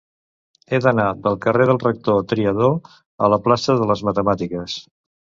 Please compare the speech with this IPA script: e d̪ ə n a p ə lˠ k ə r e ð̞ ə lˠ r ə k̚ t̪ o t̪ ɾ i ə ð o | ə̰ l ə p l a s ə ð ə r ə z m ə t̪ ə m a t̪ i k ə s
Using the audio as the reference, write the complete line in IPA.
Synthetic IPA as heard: e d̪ ə n a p ə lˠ k ə r e ð̞ ə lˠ r ə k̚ t̪ o t̪ ɾ i ə ð o | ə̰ l ə p l a s ə ð ə l ə z m ə t̪ ə m a t̪ i k ə s